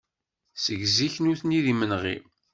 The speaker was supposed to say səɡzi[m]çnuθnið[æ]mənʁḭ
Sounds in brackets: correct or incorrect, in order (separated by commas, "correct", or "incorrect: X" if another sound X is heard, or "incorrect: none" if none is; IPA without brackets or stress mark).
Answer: incorrect: none, incorrect: i